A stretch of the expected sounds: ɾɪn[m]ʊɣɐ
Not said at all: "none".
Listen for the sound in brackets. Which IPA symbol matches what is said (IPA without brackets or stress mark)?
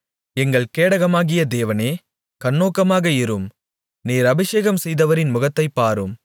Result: m